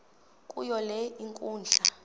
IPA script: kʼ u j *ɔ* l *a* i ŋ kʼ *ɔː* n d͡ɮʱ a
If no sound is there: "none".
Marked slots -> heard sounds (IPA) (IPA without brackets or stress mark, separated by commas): ɔ, ɛ, uː